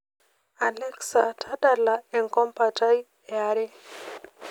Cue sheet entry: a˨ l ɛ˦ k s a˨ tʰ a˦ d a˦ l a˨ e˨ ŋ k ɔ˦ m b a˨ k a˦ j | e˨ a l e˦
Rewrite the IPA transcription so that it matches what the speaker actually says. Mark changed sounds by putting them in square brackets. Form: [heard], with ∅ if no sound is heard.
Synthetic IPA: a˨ l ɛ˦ k s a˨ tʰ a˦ d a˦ l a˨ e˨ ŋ k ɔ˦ m [p] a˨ [t] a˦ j | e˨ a [ɾ] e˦